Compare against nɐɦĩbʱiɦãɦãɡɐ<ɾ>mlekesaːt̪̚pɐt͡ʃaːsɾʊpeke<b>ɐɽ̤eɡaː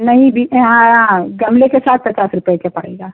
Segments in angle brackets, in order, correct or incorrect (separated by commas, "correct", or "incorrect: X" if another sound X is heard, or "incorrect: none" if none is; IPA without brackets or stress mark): incorrect: none, incorrect: p